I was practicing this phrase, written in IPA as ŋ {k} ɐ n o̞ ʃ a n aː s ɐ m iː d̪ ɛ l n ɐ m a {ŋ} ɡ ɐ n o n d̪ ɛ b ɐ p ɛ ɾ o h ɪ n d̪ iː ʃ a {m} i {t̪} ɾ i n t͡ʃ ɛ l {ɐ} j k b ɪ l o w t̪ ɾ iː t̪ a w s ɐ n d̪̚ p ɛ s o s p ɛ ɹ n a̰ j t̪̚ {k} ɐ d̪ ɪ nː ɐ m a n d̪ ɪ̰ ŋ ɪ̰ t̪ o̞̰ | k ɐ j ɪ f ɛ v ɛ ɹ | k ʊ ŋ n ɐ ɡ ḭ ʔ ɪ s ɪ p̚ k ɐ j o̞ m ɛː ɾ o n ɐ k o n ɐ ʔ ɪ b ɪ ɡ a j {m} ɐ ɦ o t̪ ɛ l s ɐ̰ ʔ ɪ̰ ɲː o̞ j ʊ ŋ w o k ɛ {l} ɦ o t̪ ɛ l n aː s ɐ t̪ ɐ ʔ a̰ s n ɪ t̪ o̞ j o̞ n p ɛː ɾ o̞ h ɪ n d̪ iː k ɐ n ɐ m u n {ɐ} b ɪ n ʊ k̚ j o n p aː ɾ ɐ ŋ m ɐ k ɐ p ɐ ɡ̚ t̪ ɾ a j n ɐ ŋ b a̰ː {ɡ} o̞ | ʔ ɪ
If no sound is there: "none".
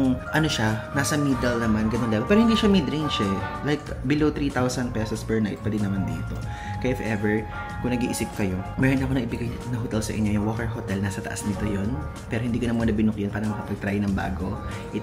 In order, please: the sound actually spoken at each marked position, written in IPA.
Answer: ʔ, n, m, d̪, a, p, n, ɹ, ɐ, ɡ

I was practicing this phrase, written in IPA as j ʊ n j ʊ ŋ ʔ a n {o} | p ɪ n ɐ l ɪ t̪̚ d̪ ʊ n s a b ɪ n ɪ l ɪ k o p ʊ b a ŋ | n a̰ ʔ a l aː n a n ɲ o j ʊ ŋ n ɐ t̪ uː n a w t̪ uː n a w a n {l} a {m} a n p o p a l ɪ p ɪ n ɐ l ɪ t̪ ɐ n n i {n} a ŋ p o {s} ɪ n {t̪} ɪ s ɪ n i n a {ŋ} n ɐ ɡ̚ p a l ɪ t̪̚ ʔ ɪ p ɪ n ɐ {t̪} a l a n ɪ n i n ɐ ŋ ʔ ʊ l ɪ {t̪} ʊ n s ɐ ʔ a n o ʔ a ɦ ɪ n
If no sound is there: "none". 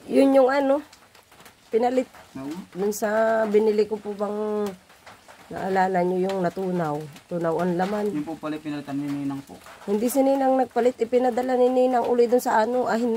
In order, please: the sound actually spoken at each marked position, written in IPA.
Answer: o, l, m, n, h, d̪, ŋ, d̪, d̪

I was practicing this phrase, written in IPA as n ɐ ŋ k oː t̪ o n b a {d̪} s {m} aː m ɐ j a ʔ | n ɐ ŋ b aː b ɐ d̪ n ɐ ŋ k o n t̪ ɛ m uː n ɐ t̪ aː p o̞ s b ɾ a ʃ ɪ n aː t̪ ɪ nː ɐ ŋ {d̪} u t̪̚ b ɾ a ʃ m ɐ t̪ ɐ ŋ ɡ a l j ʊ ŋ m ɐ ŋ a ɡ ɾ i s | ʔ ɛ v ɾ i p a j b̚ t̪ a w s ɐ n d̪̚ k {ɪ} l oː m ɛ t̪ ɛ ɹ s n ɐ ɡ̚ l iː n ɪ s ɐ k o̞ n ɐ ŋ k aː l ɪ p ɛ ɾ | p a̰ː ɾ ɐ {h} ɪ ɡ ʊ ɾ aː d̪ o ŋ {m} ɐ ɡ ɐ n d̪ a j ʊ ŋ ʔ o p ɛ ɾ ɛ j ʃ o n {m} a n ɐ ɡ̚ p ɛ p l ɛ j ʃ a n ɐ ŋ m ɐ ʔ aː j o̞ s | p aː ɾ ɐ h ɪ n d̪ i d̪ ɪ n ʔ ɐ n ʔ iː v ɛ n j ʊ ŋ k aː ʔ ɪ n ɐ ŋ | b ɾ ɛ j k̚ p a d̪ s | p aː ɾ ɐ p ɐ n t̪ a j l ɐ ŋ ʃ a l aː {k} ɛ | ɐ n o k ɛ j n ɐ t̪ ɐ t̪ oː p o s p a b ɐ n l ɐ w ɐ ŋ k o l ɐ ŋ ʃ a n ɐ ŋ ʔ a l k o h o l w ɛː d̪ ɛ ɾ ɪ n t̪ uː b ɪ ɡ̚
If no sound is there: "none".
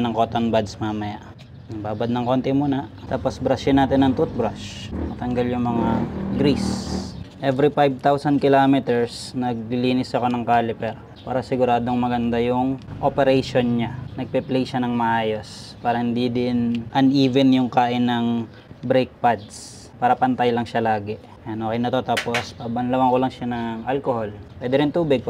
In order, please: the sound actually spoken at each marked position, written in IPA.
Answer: d̪, m, t̪, ɪ, s, m, ɲ, ɡ

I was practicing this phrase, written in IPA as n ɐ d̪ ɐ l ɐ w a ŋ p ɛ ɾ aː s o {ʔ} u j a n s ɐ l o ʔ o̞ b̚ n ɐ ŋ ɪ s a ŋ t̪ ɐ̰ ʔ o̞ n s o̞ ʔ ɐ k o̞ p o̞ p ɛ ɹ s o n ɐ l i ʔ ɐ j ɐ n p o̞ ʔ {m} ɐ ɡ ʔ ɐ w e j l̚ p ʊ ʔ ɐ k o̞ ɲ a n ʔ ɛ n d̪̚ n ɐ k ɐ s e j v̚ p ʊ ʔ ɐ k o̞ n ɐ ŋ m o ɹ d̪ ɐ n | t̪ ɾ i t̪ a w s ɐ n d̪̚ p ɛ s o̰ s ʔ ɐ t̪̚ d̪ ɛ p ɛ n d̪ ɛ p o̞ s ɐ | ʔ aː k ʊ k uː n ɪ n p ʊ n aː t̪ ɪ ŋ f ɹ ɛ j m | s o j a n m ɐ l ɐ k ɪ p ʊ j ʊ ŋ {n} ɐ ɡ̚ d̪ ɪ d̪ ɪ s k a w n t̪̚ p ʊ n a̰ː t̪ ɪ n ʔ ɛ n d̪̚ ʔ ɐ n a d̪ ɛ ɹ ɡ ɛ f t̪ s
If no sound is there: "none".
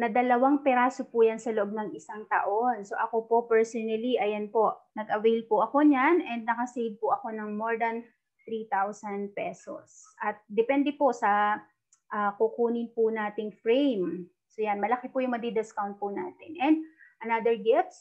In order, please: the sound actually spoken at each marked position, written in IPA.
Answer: p, n, m

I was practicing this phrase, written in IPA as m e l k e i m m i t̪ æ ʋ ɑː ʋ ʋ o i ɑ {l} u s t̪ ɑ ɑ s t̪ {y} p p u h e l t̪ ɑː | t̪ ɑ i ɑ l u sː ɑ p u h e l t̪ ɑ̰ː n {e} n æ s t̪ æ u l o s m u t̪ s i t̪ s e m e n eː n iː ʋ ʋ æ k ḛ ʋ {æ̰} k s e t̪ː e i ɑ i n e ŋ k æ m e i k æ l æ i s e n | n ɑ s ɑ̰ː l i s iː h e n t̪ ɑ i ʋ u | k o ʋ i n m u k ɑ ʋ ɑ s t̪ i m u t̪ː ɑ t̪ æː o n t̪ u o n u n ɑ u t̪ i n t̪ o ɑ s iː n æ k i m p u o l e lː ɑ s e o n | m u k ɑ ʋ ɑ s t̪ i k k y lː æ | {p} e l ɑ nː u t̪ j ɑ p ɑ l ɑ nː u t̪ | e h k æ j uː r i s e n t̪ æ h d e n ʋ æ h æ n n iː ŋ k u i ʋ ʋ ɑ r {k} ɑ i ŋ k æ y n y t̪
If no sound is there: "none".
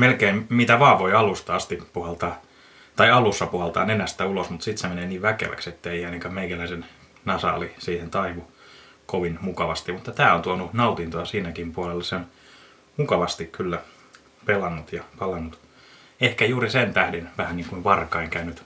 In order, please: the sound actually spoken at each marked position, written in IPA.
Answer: l, i, e, æ̰, p, k

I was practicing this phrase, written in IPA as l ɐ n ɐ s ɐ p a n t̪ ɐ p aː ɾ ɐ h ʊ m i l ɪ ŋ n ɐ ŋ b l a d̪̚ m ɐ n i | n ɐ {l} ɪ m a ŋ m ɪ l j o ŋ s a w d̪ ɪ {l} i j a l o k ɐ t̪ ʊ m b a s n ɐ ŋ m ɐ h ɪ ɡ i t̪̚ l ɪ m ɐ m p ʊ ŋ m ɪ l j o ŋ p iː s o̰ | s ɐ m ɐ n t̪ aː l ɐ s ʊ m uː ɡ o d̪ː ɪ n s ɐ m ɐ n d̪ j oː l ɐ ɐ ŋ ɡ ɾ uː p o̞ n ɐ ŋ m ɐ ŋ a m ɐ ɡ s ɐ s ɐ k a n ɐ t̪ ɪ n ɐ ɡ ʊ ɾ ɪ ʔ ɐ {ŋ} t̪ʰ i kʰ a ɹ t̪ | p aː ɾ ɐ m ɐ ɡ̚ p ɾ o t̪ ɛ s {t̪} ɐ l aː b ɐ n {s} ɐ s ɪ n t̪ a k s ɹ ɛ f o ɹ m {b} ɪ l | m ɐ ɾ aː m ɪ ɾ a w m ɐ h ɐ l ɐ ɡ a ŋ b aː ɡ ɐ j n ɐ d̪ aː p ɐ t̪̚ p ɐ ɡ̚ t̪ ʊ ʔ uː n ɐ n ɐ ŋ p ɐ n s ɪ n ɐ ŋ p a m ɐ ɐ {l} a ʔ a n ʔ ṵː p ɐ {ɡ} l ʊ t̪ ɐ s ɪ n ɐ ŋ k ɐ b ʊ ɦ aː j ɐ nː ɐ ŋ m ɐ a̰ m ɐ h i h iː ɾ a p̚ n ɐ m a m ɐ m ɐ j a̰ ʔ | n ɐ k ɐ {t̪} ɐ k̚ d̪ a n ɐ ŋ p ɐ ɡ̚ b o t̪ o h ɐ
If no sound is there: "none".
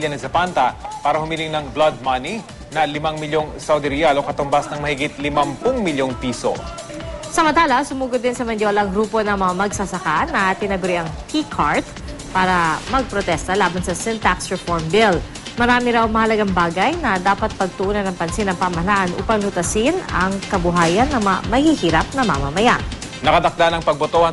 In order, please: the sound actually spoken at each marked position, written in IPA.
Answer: l, ɾ, ŋ, t̪, s, b, l, ŋ, d̪

